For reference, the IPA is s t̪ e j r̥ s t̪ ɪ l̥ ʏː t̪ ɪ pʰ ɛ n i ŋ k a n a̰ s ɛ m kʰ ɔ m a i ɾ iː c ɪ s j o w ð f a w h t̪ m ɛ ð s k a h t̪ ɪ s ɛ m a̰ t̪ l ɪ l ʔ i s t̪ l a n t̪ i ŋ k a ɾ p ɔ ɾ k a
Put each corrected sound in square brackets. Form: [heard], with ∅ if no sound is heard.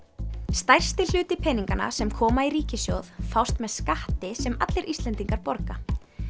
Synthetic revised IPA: s t̪ [a] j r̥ s t̪ ɪ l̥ ʏː t̪ ɪ pʰ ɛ n i ŋ k a n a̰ s ɛ m kʰ [ɔː] m a i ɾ iː c ɪ s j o w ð f a w [s] t̪ m ɛ ð s k a h t̪ ɪ s ɛ m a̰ t̪ l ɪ [ɾ] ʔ i s t̪ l [ɛ] n t̪ i ŋ k a ɾ p ɔ ɾ k a